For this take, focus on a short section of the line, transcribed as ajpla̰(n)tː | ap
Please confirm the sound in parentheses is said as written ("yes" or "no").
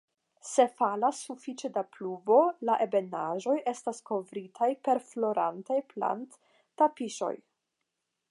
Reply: yes